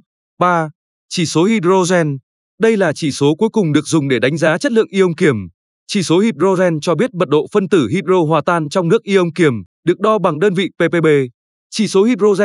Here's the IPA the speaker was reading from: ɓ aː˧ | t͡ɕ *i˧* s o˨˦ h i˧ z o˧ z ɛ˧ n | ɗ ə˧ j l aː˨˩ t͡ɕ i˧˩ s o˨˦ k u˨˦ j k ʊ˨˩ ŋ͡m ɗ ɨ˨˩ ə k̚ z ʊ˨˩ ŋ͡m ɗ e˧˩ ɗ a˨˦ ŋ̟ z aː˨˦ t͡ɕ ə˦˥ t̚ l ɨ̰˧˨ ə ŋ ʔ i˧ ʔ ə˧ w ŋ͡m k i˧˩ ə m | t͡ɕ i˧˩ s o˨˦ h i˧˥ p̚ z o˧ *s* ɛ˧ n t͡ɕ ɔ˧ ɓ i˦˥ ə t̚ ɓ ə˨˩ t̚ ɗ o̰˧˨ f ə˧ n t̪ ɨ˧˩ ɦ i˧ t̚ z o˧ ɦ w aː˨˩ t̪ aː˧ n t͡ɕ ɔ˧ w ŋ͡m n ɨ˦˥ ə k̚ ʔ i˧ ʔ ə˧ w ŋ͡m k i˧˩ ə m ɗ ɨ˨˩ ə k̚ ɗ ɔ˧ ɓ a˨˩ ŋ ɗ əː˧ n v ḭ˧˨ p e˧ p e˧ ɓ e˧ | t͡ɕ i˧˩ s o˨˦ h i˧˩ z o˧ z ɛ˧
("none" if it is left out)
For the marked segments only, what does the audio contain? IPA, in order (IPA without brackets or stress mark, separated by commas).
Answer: i˧˩, z